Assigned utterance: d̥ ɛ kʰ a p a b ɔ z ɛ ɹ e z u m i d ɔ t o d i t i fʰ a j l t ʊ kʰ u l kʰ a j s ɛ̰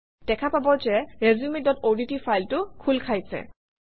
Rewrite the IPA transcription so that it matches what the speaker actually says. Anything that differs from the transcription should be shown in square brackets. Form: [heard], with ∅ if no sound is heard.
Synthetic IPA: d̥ ɛ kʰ a p a b ɔ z ɛ ɹ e z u m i d ɔ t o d i t i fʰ a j l t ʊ kʰ u l kʰ a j s ɛ̰